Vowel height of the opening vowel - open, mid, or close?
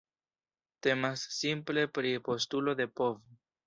mid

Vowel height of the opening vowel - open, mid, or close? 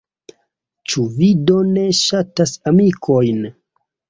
close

